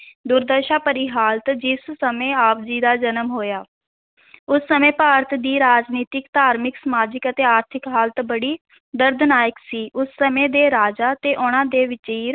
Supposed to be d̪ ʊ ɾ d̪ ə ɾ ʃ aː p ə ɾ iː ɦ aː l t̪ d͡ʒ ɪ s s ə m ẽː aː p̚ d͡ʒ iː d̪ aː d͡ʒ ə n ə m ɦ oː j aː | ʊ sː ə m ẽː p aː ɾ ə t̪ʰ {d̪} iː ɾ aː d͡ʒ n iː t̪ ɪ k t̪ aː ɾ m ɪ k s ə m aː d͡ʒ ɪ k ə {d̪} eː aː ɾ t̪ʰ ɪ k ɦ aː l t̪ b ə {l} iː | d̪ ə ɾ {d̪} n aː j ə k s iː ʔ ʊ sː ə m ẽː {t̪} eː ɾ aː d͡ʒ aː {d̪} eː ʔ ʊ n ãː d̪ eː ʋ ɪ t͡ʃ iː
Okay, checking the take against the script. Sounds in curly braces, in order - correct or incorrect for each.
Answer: correct, incorrect: t̪, incorrect: ɽ, correct, incorrect: d̪, incorrect: t̪

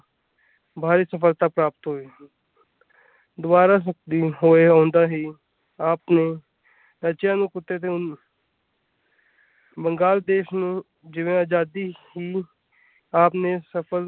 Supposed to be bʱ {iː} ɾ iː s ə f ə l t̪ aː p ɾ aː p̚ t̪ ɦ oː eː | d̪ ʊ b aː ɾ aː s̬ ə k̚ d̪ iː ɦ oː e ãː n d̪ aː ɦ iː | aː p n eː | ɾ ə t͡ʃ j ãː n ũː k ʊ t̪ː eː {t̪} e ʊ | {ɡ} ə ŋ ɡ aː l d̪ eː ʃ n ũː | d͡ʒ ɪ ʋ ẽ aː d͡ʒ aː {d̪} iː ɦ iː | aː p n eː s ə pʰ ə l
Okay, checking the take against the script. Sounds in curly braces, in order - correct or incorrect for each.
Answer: incorrect: aː, correct, incorrect: b, correct

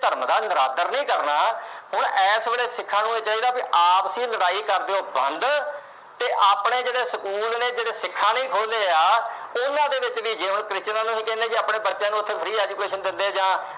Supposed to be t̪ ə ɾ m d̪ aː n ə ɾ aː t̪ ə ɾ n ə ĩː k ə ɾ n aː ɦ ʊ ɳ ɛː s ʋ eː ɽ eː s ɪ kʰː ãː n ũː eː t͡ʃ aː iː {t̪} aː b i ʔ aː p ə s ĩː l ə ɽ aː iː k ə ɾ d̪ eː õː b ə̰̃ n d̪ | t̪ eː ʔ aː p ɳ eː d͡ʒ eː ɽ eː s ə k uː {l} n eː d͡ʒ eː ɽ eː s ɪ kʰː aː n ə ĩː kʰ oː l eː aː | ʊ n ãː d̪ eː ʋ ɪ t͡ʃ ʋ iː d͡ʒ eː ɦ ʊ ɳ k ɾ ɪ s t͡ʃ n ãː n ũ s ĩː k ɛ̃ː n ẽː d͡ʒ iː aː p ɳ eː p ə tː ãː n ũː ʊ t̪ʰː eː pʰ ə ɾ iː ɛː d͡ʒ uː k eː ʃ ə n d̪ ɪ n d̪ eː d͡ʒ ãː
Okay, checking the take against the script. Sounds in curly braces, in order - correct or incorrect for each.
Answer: incorrect: d̪, correct

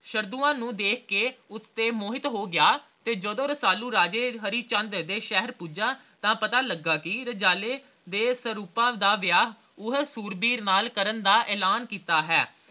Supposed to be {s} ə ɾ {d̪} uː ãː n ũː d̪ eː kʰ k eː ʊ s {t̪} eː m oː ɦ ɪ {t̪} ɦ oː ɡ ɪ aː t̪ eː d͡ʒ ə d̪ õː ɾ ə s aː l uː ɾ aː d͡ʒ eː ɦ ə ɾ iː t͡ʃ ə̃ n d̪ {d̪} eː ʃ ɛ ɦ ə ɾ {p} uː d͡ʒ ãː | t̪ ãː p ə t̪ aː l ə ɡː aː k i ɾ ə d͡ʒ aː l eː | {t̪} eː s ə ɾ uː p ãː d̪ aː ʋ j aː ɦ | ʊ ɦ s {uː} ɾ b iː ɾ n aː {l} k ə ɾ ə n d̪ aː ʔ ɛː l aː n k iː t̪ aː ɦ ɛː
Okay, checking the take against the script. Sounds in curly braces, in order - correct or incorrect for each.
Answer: incorrect: ʃ, correct, correct, correct, correct, correct, incorrect: d̪, correct, correct

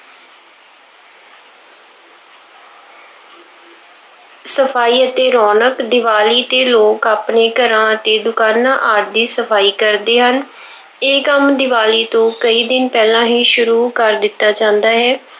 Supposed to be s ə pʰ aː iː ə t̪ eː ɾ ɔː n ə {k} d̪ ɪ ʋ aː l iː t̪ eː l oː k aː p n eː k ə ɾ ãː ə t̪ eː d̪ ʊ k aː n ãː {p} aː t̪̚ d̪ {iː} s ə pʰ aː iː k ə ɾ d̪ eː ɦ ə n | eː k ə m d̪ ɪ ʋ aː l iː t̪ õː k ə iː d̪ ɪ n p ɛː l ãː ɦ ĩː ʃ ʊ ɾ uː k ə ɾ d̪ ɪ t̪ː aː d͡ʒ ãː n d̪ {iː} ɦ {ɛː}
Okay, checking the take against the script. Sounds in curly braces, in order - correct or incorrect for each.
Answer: correct, incorrect: ʔ, correct, incorrect: aː, correct

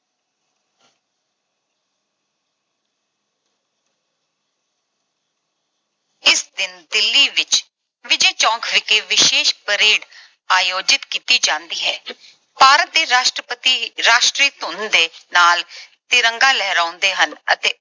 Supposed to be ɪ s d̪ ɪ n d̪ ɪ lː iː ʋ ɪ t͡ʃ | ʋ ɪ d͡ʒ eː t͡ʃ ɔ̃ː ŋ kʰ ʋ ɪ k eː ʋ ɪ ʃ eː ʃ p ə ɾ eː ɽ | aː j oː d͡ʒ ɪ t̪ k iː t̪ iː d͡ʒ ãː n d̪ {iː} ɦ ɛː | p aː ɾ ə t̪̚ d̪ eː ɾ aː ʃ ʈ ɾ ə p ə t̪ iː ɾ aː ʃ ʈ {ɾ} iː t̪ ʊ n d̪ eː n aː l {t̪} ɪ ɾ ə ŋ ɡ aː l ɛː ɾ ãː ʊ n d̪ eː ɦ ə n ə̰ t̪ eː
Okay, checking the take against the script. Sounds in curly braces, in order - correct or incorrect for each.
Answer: correct, correct, correct

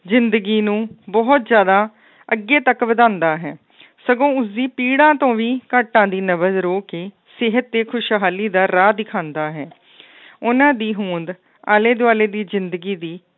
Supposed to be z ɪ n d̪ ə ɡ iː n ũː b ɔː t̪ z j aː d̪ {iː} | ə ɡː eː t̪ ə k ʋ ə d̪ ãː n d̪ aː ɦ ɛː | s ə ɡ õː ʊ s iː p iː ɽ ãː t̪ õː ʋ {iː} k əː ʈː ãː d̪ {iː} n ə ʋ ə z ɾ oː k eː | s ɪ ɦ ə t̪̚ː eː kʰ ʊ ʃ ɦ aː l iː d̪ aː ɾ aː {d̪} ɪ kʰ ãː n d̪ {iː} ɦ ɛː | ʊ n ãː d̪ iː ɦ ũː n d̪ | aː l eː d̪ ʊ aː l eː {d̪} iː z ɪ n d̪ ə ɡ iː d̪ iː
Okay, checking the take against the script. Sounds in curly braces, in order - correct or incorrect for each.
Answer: incorrect: aː, correct, correct, correct, incorrect: aː, correct

